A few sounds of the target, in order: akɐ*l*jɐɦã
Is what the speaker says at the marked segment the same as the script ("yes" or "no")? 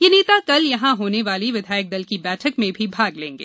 yes